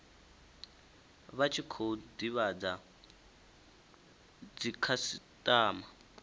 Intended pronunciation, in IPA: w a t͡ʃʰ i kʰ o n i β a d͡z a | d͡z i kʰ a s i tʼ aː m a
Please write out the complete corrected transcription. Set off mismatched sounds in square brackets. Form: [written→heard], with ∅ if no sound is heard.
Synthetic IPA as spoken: [w→β] a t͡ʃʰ i kʰ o [n→d] i β a d͡z a | d͡z i kʰ a s i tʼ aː m a